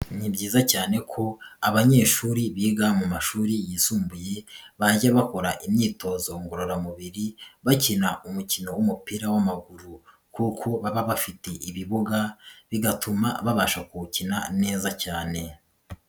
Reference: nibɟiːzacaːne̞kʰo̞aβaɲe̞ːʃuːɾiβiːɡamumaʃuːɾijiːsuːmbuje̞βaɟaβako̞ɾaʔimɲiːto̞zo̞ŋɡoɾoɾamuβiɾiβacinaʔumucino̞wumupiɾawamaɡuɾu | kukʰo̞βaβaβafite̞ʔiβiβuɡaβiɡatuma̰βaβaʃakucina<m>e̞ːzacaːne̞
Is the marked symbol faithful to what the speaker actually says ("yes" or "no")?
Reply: no